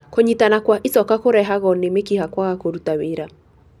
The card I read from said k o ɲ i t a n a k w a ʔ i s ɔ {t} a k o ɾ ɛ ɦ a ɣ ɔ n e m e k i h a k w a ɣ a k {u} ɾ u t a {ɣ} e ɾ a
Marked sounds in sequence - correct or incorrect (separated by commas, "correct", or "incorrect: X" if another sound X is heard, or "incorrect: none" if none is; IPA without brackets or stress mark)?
incorrect: k, incorrect: o, incorrect: w